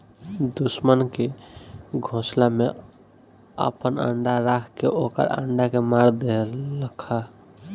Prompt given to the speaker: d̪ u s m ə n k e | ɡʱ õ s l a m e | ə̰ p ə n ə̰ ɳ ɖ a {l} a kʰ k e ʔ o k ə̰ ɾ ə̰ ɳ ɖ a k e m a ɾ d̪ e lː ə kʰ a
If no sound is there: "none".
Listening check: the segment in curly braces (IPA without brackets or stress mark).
ɾ